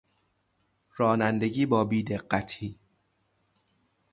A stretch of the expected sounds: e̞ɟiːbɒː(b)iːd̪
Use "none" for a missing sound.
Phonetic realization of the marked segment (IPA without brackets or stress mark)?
b